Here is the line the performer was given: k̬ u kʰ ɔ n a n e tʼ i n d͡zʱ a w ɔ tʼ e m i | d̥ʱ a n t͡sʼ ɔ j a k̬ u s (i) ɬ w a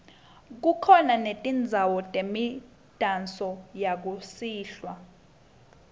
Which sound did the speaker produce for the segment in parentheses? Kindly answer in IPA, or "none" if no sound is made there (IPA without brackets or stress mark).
iː